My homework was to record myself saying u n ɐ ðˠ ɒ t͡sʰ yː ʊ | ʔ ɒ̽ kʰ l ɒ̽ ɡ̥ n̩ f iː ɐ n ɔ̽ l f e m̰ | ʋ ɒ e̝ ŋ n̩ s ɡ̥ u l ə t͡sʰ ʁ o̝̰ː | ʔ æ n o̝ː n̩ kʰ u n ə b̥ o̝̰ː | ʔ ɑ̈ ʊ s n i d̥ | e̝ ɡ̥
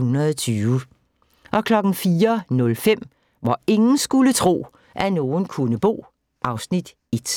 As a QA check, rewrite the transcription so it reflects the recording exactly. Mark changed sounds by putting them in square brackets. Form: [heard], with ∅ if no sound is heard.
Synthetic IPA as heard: u n ɐ ðˠ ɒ t͡sʰ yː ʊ | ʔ ɒ̽ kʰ l ɒ̽ ɡ̥ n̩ f iː ɐ n ɔ̽ l f e m̰ | ʋ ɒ e̝ ŋ n̩ s ɡ̥ u l ə t͡sʰ ʁ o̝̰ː | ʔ æ n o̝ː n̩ kʰ u n ə b̥ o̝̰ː | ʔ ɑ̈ ʊ s n i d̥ | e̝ [d̥]